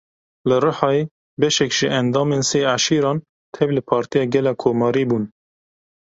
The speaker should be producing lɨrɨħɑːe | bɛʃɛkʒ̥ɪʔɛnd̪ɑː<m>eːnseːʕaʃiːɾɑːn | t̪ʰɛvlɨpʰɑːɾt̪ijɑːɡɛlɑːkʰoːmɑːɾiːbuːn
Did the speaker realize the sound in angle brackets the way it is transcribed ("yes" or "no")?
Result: yes